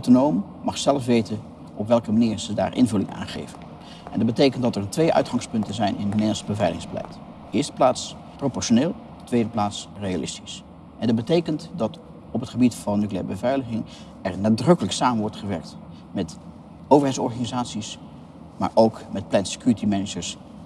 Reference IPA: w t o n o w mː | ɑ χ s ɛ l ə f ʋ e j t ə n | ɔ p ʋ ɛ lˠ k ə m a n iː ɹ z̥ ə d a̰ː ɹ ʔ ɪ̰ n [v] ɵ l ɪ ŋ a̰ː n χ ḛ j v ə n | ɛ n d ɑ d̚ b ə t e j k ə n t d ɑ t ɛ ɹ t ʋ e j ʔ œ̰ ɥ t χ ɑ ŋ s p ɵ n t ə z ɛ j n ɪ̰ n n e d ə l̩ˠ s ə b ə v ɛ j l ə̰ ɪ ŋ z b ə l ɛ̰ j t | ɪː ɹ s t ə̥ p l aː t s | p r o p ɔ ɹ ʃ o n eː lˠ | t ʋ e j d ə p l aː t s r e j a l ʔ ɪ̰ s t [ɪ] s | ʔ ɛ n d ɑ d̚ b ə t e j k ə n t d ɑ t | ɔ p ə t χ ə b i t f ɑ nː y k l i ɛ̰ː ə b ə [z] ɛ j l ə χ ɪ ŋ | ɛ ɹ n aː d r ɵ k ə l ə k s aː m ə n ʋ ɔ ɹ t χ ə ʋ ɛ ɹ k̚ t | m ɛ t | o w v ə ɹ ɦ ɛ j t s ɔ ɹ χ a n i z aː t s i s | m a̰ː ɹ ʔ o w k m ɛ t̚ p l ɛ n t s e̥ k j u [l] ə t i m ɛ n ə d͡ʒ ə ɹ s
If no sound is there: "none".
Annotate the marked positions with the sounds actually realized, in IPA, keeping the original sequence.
v, i, v, ɹ

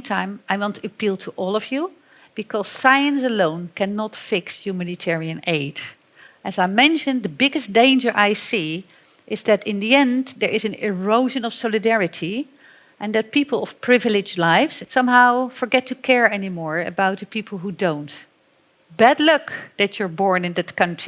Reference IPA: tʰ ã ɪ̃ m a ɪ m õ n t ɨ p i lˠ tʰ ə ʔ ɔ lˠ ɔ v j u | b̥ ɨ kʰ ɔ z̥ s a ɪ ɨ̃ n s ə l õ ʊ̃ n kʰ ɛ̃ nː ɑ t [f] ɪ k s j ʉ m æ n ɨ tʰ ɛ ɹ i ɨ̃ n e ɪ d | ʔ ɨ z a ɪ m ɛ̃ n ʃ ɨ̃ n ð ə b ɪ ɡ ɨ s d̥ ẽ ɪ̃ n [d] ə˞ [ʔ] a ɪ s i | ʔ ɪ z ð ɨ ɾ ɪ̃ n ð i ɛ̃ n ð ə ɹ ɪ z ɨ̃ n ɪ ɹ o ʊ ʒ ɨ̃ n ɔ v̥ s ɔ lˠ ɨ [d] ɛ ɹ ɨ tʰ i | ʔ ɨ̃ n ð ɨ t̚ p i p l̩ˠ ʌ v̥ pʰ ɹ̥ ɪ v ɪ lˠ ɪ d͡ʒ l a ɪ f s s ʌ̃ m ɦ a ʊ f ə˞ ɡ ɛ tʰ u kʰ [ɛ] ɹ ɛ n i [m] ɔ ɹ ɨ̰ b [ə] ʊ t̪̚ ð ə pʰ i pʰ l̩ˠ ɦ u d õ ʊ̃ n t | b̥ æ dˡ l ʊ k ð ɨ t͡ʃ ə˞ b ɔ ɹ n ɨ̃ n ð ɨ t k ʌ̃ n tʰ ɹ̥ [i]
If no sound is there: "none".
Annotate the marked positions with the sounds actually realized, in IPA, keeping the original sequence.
f, d͡ʒ, ʔ, d, ɛ, m, a, i

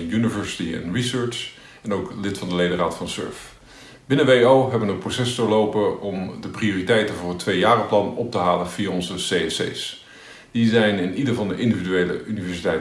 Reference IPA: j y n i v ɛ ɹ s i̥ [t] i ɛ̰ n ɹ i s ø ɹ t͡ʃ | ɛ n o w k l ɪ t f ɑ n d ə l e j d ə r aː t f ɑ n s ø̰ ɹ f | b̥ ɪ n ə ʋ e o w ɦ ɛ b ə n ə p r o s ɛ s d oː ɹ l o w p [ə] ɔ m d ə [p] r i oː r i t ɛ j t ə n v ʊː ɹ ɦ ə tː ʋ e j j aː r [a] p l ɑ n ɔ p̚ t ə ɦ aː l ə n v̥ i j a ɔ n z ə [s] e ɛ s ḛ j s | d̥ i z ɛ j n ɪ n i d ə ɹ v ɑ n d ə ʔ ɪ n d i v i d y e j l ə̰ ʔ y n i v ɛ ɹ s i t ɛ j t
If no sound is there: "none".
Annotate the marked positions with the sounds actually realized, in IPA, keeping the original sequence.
t, ə, p, ə, s

